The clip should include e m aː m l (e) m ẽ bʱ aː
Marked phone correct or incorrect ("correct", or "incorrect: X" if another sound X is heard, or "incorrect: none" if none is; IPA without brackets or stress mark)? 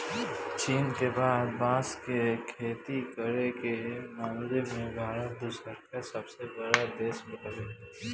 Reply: correct